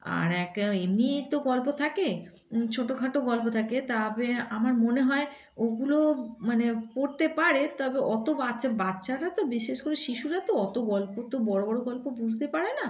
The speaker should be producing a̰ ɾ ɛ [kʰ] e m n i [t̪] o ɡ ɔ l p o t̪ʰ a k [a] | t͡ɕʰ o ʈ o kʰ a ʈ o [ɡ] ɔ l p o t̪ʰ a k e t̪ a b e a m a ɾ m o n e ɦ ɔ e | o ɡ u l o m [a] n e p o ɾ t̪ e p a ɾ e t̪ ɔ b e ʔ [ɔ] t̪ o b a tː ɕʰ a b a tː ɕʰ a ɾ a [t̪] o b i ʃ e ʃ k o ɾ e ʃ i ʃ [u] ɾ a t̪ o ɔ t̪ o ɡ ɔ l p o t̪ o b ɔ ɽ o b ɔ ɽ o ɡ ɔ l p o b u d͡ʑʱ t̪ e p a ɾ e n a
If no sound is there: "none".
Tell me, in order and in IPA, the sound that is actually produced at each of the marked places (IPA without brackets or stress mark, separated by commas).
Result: k, t̪, e, ɡ, a, ɔ, t̪, u